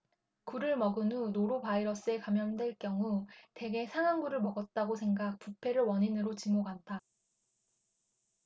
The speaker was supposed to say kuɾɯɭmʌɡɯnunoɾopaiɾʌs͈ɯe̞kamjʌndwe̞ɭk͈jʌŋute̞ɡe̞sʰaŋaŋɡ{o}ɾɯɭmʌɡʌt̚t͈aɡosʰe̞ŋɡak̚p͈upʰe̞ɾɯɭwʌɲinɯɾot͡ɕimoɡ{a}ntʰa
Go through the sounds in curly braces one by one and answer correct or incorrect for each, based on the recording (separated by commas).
incorrect, correct